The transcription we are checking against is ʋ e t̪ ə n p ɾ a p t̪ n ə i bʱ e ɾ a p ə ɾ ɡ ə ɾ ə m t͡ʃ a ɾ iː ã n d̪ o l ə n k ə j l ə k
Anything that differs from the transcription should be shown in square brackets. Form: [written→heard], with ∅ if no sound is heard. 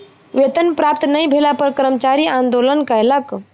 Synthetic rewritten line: ʋ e t̪ ə n p ɾ a p t̪ n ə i bʱ e [ɾ→l] a p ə ɾ [ɡ→k] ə ɾ ə m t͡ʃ a ɾ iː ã n d̪ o l ə n k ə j l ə k